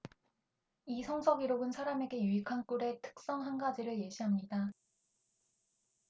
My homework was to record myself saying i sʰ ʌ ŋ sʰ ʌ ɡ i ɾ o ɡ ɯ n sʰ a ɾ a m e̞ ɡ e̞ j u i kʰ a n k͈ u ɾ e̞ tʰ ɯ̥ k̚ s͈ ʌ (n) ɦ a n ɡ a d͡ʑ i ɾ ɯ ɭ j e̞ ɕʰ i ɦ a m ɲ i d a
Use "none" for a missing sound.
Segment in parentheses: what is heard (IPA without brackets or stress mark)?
ŋ